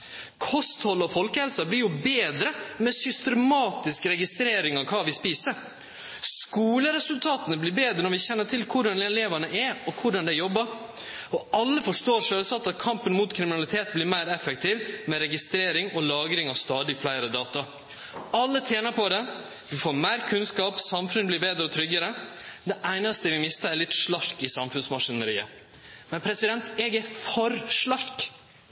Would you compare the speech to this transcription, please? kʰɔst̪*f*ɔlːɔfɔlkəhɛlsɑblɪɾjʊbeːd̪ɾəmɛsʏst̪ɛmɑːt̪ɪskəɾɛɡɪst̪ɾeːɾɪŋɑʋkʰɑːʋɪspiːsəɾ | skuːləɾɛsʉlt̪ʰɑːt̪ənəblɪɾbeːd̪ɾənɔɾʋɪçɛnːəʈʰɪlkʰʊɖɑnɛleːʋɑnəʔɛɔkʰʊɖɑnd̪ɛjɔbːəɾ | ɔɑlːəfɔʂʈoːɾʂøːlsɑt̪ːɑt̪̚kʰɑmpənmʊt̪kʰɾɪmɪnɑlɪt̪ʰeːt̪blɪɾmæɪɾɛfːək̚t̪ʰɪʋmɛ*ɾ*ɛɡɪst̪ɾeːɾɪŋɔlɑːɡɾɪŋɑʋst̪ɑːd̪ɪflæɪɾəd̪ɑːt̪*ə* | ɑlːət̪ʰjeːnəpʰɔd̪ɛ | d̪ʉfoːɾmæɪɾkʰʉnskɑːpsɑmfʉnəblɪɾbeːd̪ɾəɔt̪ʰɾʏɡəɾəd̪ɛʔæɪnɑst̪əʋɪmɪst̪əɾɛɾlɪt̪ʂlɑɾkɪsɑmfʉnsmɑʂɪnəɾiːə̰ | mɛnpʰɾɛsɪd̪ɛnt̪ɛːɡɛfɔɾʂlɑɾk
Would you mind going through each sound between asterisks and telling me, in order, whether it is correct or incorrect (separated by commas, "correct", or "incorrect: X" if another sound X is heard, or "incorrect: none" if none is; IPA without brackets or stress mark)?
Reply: incorrect: h, correct, incorrect: ɑ